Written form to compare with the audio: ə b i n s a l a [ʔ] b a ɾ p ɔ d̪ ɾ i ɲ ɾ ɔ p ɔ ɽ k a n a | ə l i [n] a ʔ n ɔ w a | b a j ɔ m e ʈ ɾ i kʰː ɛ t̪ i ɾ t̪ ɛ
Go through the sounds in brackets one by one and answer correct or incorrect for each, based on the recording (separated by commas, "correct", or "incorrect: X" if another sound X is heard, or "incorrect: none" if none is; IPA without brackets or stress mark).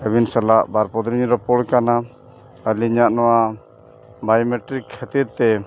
correct, incorrect: ɲ